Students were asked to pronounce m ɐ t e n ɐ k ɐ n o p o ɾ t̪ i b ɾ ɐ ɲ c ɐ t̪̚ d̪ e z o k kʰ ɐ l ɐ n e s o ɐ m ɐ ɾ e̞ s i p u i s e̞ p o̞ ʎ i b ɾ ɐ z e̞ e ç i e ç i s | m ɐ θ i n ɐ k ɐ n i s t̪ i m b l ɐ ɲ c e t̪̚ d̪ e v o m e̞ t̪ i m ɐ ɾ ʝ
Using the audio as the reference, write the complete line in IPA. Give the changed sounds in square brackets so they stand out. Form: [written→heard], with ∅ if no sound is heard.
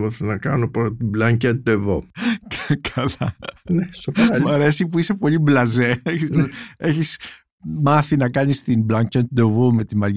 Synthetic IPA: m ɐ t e n ɐ k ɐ n o p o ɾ t̪ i b [ɾ→l] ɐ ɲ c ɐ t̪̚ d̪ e [z→v] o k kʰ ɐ l ɐ n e s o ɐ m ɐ ɾ e̞ s i p u i s e̞ p o̞ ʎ i b [ɾ→l] ɐ z e̞ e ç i e ç i s | m ɐ θ i n ɐ k ɐ n i s t̪ i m b l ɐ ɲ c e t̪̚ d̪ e v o m e̞ t̪ i m ɐ ɾ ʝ